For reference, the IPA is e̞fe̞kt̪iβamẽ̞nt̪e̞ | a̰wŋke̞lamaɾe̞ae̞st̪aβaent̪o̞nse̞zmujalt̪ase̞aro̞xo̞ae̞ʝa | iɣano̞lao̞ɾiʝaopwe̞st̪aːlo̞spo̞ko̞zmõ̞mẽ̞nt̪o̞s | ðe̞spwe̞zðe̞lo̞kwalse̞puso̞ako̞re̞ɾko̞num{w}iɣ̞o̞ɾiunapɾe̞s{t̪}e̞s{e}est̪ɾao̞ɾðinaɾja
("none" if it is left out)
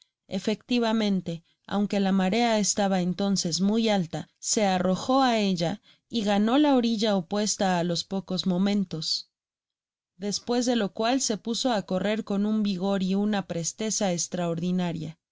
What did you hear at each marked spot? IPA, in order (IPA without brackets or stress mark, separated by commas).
b, t̪, a